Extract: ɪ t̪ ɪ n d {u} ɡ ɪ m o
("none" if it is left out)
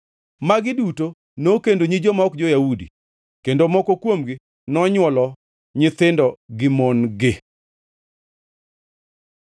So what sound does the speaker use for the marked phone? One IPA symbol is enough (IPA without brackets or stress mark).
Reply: ɔ